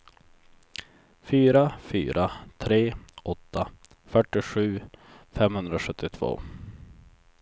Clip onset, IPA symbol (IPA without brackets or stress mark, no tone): f